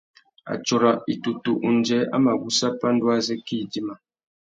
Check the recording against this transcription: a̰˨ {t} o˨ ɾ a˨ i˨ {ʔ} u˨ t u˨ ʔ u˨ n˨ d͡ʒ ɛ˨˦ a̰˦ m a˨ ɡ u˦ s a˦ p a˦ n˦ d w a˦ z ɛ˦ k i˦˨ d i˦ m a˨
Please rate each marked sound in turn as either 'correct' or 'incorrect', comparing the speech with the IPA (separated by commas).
incorrect, incorrect